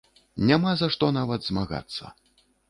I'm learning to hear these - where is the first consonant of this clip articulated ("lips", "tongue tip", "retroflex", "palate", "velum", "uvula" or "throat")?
tongue tip